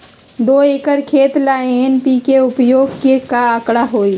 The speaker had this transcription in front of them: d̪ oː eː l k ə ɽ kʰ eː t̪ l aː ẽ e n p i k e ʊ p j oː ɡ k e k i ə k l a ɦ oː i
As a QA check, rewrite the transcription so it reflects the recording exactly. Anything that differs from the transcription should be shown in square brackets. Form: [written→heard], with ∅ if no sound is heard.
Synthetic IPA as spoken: d̪ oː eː [l→∅] k ə [ɽ→ɾ] kʰ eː t̪ l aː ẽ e n p i k e ʊ p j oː ɡ k e k [i→a] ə k [l→ɽ] a ɦ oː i